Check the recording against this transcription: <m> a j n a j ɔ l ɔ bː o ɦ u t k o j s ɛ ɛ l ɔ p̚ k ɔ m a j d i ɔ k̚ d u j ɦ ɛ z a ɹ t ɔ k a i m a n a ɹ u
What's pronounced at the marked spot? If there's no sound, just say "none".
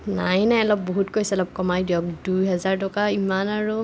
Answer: n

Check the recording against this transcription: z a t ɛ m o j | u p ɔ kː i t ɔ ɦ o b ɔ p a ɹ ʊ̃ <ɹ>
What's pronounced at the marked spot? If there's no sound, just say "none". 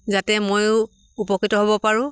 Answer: none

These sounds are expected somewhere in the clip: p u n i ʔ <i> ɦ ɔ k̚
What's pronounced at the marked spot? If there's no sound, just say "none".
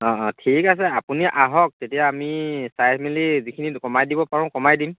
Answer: a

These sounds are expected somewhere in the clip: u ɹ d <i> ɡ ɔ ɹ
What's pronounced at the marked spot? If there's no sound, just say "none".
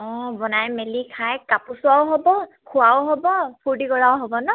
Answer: i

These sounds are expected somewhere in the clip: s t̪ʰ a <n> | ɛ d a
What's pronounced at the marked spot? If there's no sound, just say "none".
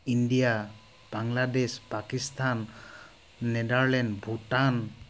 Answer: nː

